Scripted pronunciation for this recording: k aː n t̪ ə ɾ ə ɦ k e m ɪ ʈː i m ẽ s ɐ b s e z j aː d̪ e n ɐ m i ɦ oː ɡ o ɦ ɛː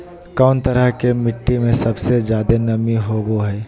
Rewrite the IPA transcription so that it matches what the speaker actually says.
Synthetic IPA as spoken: k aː n t̪ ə ɾ ə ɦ k e m ɪ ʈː i m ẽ s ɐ b s e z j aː d̪ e n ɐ m i ɦ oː ɡ o ɦ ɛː